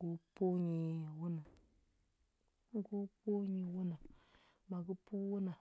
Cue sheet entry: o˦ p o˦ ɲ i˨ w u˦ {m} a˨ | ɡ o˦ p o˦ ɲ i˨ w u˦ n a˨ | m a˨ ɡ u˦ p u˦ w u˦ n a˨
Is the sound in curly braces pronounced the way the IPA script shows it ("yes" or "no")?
no